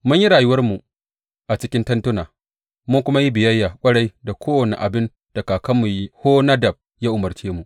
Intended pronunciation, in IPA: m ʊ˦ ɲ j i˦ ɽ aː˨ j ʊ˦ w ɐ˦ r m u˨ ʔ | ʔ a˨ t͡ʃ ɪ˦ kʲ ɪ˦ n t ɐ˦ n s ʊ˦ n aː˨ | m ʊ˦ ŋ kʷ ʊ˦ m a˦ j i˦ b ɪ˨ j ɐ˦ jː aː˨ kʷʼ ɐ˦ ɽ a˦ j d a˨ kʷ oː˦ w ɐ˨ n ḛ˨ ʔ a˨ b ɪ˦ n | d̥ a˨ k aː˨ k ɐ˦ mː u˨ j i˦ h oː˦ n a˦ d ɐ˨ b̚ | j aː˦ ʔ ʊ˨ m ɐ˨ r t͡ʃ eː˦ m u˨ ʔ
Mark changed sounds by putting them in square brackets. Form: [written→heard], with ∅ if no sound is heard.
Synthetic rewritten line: m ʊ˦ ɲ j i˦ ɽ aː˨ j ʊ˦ w ɐ˦ r m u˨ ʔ | ʔ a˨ t͡ʃ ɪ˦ kʲ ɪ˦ n t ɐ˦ n [s→t] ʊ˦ n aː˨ | m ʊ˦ ŋ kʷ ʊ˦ m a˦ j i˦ b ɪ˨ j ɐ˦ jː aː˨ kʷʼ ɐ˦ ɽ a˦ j d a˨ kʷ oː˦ w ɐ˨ n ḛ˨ ʔ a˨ b ɪ˦ n | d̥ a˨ k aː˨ k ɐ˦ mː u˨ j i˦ h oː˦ n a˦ d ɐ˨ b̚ | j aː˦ ʔ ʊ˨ m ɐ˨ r t͡ʃ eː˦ m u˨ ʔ